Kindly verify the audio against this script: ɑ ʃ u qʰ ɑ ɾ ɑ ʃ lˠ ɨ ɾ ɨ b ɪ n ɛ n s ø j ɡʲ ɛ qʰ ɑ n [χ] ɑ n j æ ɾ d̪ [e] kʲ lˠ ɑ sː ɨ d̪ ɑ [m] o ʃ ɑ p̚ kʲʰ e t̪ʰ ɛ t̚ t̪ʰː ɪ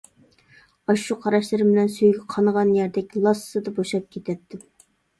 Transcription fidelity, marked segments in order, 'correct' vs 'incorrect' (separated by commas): incorrect, incorrect, incorrect